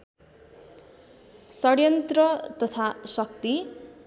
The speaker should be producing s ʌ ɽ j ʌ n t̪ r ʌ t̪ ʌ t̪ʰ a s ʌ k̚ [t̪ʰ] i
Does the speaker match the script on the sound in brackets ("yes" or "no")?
no